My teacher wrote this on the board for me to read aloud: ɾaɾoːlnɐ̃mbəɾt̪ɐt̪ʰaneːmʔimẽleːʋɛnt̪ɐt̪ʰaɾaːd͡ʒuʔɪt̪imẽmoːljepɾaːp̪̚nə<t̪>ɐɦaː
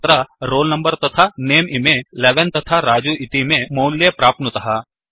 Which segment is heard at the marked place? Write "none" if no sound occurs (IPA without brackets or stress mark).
t̪